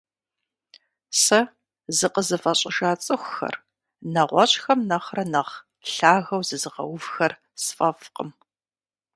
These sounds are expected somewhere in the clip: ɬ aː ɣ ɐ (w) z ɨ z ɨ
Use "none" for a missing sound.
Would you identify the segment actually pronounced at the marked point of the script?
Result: w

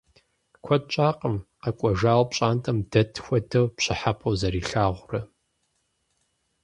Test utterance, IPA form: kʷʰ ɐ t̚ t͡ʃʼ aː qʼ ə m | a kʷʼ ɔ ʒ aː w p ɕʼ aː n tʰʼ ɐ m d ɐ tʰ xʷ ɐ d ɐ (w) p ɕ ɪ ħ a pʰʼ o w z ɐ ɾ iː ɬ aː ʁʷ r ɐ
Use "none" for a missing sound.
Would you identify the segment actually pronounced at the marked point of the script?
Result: w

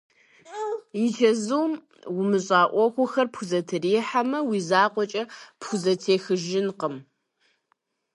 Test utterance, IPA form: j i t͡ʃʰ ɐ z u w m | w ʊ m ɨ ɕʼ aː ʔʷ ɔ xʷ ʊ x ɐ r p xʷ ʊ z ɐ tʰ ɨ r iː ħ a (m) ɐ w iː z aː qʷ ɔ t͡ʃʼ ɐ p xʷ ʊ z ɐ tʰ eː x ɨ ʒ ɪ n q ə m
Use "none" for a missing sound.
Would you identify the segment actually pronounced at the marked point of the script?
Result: m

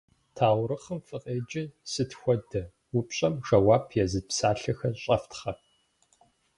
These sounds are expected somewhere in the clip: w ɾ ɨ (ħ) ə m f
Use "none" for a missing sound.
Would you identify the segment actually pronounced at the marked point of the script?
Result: χ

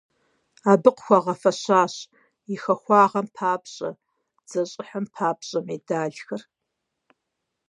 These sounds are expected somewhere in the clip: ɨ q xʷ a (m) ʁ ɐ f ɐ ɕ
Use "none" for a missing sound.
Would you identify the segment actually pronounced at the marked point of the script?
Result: none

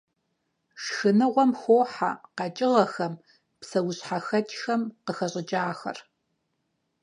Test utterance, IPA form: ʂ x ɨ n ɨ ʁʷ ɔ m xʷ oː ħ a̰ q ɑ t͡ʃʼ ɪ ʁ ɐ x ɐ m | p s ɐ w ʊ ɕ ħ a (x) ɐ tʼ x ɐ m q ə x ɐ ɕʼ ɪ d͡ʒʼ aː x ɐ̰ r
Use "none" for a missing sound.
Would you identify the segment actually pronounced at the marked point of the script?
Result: x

